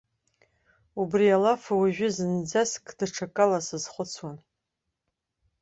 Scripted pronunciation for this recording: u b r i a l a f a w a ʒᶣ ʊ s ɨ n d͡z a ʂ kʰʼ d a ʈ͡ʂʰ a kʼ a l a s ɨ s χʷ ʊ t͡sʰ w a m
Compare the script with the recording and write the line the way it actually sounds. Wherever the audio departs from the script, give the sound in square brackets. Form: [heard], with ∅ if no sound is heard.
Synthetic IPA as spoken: u b r i a l a f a w a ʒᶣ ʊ [z] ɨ n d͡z a [s] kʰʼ d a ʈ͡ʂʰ a kʼ a l a s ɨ [z] χʷ ʊ t͡sʰ w a [n]